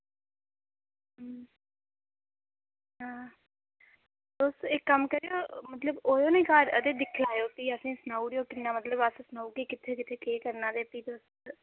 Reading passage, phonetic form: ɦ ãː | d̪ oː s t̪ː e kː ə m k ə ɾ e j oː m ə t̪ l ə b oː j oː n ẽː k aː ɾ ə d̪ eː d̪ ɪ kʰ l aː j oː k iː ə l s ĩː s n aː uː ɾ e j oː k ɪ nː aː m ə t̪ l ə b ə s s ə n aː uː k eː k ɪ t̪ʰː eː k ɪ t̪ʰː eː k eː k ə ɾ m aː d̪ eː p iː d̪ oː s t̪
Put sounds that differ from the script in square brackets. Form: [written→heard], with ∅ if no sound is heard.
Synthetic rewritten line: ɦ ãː | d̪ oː s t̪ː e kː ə m k ə ɾ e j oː m ə t̪ l ə b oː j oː n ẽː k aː ɾ ə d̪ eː d̪ ɪ kʰ l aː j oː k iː ə [l→∅] s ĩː s n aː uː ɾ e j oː k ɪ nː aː m ə t̪ l ə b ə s s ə n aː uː k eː k ɪ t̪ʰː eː k ɪ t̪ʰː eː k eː k ə ɾ [m→n] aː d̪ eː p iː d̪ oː s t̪